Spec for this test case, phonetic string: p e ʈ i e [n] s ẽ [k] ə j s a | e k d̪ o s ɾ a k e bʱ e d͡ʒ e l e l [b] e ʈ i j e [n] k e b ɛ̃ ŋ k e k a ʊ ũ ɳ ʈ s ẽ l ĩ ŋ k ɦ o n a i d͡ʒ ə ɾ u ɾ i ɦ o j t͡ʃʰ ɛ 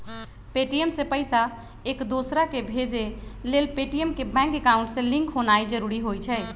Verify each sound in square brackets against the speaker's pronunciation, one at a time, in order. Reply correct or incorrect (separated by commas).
incorrect, incorrect, incorrect, incorrect